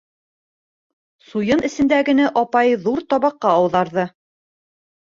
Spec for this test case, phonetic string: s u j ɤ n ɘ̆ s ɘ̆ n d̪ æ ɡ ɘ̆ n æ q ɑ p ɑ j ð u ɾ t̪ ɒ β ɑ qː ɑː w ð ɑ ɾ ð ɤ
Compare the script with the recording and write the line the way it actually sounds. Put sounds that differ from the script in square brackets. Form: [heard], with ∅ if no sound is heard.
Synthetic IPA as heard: s u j ɤ n ɘ̆ s ɘ̆ n d̪ æ ɡ ɘ̆ n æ [ʔ] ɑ p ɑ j ð u ɾ t̪ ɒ β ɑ qː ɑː w ð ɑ ɾ ð ɤ